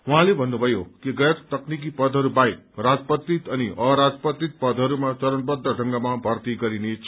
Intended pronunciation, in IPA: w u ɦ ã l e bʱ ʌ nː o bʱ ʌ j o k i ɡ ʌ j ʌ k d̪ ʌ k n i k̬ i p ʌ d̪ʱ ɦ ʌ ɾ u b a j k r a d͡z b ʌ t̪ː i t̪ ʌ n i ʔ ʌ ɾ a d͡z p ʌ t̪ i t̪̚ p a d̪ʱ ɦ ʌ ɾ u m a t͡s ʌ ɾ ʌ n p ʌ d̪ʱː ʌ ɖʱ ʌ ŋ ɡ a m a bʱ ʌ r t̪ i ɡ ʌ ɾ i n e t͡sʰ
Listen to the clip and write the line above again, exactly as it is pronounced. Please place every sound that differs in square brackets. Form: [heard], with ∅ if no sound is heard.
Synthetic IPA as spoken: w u ɦ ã l e bʱ ʌ nː [u] bʱ ʌ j o k i ɡ ʌ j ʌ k [t̪] ʌ k n i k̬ i p ʌ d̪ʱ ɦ ʌ ɾ u b a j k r a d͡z [p] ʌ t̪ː i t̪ ʌ n i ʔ ʌ ɾ a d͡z p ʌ t̪ i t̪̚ p [ʌ] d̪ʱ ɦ ʌ ɾ u m a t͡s ʌ ɾ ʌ n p ʌ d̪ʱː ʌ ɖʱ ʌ ŋ ɡ a m a bʱ ʌ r t̪ i ɡ ʌ ɾ i n e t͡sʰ